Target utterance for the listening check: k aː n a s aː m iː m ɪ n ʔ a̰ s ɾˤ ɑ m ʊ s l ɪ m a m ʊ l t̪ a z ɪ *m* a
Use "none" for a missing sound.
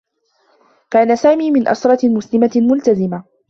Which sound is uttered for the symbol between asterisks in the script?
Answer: m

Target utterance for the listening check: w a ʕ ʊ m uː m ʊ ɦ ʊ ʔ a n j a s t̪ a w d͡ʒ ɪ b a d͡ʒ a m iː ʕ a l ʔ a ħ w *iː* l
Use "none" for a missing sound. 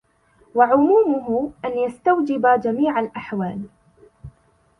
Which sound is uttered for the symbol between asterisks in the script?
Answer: aː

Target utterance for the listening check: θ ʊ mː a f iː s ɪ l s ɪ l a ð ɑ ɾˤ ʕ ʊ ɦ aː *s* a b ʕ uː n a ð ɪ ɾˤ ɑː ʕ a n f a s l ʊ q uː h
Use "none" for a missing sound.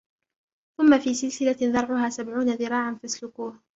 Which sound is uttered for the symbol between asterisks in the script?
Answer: s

